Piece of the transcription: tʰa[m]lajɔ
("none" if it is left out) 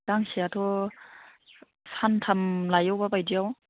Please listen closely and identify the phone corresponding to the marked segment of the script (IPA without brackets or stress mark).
m